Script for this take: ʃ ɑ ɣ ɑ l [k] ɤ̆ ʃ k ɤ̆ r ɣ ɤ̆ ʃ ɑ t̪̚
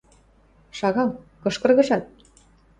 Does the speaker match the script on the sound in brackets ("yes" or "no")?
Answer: yes